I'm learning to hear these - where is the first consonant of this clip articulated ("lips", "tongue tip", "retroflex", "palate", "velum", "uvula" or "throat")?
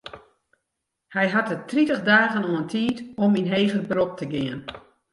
throat